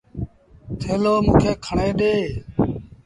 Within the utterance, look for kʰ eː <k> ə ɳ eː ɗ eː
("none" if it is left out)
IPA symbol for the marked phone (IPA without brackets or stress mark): kʰ